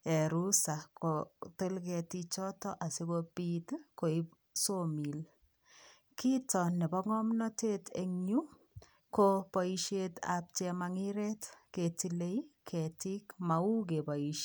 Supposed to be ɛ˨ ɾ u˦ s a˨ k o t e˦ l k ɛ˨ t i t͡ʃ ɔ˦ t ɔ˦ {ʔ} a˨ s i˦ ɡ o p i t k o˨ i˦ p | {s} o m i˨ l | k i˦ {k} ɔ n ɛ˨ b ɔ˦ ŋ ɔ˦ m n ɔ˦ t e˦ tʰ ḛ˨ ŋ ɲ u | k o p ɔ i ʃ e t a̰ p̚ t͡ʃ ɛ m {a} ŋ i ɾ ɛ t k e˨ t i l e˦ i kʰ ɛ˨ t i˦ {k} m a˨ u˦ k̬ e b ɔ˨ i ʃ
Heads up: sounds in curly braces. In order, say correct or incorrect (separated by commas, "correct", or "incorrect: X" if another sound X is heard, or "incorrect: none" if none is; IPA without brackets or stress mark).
correct, correct, incorrect: t, correct, correct